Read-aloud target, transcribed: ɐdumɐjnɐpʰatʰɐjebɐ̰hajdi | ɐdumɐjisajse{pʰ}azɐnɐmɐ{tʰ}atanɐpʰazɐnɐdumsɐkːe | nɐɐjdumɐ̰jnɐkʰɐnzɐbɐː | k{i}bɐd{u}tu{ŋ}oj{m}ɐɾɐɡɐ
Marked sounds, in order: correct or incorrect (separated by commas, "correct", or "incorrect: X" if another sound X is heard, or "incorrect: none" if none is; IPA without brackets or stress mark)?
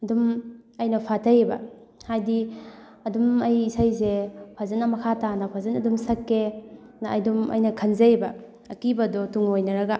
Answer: correct, incorrect: kʰ, correct, incorrect: ɔ, correct, incorrect: n